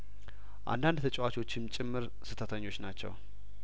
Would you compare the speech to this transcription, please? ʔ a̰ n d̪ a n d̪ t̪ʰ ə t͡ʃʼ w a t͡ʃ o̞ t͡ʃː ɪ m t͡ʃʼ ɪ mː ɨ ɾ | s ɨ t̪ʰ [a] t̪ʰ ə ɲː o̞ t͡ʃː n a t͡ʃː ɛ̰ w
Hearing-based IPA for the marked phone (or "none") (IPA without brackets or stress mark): ə